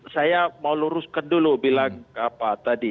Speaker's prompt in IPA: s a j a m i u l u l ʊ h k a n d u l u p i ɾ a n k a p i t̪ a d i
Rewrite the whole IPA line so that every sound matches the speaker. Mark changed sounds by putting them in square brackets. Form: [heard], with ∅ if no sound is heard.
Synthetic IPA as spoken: s a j a m [a] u l u [ɾ] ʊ [s] k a n d u l u [b] i [l] a [ŋ] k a p [a] t̪ a d i

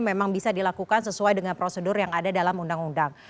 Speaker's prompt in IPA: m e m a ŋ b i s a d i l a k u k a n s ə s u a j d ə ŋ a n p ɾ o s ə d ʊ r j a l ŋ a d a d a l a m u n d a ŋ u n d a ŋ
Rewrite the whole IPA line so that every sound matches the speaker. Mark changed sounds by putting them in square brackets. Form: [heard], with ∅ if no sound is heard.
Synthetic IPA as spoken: m e m a ŋ b i s a d i l a k u k a n s ə s u a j d ə ŋ a n p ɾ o s ə d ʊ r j a [∅] ŋ a d a d a l a m u n d a ŋ u n d a ŋ

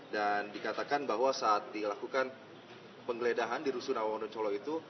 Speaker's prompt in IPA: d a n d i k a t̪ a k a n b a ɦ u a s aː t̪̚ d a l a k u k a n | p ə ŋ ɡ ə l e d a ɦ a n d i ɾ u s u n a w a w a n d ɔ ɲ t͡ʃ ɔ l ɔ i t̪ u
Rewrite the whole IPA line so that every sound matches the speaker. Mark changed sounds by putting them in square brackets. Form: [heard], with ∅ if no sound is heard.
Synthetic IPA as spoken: d a n d i k a t̪ a k a n b a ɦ [w] a s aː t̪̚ d [i] l a k u k a n | p ə ŋ ɡ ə l e d a ɦ a n d i ɾ u s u n a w a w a n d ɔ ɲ t͡ʃ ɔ l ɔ i t̪ u

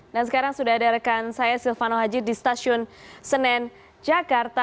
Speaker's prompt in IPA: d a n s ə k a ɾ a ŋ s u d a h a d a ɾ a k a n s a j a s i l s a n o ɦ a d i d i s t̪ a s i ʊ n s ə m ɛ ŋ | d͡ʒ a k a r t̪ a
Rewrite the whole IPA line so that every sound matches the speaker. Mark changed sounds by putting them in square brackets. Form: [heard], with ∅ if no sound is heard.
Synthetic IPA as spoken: d a n s ə k a ɾ a ŋ s u d a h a d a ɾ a k a n s a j a s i l [f] a n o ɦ a [d͡ʒ] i d i s t̪ a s i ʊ n s ə [n] ɛ [n] | d͡ʒ a k a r t̪ a

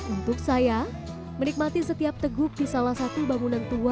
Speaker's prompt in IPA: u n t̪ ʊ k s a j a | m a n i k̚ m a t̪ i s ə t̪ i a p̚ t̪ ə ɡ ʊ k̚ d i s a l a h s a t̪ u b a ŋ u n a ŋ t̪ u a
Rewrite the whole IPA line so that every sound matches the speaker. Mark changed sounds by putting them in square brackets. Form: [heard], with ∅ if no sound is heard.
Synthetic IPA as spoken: u n t̪ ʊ k s a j a | m [ə] n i k̚ m a t̪ i s ə t̪ i a p̚ t̪ ə ɡ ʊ k̚ d i s a l a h s a t̪ u b a ŋ u n a [n] t̪ u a

